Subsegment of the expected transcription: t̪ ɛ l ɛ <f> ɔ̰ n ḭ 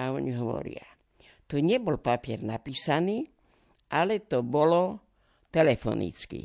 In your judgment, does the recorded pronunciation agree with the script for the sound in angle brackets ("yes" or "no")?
yes